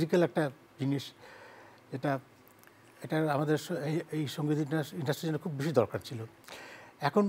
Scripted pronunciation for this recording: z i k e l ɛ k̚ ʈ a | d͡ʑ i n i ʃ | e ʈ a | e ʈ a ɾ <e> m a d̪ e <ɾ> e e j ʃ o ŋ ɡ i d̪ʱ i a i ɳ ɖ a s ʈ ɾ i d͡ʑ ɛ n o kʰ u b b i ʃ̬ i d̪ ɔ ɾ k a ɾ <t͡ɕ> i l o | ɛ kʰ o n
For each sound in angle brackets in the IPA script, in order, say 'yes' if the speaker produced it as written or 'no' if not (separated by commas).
no, yes, no